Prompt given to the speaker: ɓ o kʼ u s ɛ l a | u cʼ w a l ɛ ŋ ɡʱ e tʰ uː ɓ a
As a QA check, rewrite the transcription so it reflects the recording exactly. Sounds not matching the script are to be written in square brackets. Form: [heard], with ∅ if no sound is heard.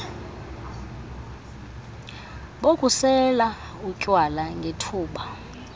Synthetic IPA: ɓ o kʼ u s ɛ l a | u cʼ w a l [a] ŋ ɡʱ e tʰ uː ɓ a

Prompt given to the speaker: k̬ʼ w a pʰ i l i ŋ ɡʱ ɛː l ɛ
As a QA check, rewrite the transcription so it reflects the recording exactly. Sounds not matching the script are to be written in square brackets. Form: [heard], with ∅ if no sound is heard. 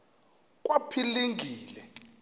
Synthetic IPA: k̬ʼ w a pʰ i l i ŋ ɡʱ [iː] l ɛ

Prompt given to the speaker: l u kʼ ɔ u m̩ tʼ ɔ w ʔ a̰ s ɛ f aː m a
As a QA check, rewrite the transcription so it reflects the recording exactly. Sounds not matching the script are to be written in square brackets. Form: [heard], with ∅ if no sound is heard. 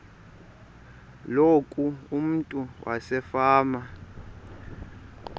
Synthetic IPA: l [o] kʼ [u] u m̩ tʼ [u] w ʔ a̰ s ɛ f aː m a

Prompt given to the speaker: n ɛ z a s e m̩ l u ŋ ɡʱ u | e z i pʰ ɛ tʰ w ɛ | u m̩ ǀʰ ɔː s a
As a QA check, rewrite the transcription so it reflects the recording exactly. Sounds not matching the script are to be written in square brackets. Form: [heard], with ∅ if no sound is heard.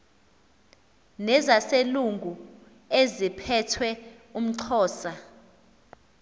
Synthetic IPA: n ɛ z a s e [∅] l u ŋ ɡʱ u | e z i pʰ ɛ tʰ w ɛ | u m̩ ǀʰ ɔː s a

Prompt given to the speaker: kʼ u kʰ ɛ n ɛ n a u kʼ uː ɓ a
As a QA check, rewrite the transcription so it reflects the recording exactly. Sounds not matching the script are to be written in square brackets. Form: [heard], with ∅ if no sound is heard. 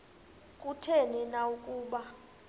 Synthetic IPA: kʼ u [tʰ] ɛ n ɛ n a u kʼ uː ɓ a

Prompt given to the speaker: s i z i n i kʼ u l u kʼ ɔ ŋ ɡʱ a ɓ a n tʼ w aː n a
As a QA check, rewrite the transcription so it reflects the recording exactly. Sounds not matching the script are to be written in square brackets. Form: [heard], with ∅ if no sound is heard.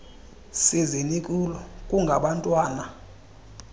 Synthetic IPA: s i z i n i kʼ u l [ɔ] kʼ [u] ŋ ɡʱ a ɓ a n tʼ w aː n a

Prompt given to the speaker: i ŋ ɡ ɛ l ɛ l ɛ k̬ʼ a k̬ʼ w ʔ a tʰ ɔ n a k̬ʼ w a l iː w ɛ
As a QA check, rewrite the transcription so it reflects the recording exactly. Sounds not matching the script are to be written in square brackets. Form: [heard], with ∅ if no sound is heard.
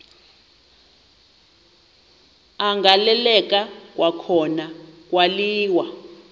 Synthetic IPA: [a] ŋ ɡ [a] l ɛ l ɛ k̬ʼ a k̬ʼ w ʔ a [kʰ] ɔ n a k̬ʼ w a l iː w [a]

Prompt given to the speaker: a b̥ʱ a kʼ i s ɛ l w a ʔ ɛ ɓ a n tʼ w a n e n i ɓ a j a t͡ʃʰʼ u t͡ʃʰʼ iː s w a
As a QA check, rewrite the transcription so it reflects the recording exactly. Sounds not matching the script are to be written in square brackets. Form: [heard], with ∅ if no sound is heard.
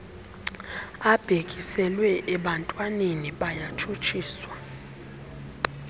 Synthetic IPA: a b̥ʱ [e] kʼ i s ɛ l w [ɛ] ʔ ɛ ɓ a n tʼ w a n e n i ɓ a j a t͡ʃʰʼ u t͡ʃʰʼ iː s w a

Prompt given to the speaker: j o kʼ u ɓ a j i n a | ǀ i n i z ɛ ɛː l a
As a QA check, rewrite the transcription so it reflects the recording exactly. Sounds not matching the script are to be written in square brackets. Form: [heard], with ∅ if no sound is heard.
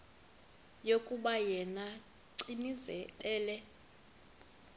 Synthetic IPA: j o kʼ u ɓ a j [ɛ] n a | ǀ i n i z ɛ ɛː l [ɛ]

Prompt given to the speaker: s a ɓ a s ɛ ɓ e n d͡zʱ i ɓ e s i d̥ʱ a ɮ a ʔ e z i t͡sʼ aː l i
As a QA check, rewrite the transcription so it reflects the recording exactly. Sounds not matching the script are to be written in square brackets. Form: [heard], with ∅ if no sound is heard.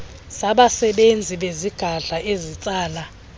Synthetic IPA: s a ɓ a s ɛ ɓ e n d͡zʱ i ɓ e [z] i [ɡ̥ʱ] a ɮ a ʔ e z i t͡sʼ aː l [a]

